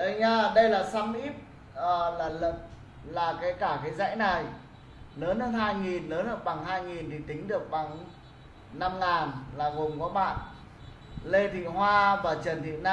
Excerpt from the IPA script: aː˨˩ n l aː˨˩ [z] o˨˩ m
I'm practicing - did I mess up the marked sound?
yes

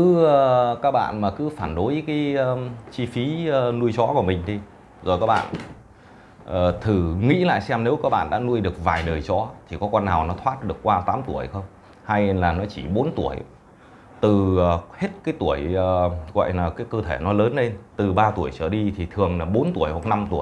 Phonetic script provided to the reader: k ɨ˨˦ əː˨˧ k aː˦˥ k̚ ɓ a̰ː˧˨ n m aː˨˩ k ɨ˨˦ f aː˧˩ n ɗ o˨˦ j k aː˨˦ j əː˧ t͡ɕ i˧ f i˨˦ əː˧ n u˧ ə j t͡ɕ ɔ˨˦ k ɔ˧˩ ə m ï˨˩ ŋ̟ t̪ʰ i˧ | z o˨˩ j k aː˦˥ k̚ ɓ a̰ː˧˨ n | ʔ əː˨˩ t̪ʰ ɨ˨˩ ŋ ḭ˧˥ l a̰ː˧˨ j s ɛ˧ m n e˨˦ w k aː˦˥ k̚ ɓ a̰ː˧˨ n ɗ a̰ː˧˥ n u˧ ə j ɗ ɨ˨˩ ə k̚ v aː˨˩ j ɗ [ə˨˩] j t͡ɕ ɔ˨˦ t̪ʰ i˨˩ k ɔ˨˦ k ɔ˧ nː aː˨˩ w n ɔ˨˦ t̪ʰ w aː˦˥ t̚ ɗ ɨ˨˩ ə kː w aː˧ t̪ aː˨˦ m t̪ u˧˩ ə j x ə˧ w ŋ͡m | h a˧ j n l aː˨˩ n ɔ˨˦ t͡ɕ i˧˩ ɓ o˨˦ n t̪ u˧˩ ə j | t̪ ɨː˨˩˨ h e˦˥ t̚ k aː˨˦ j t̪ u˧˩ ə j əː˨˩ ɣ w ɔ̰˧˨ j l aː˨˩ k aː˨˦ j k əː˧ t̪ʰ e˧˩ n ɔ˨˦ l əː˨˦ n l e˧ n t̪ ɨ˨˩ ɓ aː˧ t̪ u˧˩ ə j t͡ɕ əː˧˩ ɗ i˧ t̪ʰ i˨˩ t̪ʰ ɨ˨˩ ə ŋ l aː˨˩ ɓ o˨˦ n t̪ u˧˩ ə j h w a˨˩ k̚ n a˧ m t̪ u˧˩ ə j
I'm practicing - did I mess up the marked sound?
yes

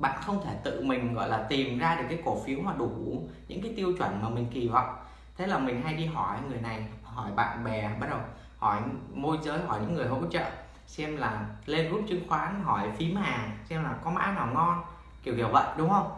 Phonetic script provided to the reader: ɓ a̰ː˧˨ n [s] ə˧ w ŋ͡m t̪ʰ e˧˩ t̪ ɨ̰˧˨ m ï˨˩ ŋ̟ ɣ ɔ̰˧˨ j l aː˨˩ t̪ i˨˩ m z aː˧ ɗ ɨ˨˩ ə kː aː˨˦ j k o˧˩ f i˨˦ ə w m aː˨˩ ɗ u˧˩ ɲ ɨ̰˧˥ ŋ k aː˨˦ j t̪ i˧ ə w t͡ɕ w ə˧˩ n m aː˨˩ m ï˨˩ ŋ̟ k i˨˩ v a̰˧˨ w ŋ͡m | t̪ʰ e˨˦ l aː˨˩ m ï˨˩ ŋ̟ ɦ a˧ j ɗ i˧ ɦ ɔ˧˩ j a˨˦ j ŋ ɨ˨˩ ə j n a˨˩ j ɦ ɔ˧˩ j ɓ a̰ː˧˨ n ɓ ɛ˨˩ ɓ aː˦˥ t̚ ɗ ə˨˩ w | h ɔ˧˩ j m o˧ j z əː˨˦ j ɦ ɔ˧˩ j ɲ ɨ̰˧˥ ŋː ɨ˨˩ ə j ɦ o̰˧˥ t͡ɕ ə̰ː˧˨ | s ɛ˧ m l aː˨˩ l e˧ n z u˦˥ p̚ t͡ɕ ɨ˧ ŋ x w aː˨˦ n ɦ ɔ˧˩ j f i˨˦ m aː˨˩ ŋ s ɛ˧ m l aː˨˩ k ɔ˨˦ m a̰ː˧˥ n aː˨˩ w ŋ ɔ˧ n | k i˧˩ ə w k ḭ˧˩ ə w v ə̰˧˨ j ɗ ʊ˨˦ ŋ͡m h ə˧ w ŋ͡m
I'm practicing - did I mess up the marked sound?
yes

